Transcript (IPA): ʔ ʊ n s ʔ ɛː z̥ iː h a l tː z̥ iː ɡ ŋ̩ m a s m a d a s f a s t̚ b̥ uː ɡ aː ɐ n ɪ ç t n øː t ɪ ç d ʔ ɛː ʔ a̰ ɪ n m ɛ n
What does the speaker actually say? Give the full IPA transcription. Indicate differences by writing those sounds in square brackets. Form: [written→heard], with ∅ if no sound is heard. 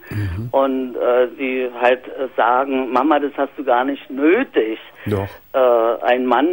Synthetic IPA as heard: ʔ ʊ n [s→t] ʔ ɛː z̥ iː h a l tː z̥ [iː→aː] ɡ ŋ̩ m a [s→∅] m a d a s [f→h] a s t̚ [b̥→d̥] uː ɡ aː ɐ n ɪ ç t n øː t ɪ ç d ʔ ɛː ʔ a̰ ɪ n m [ɛ→a] n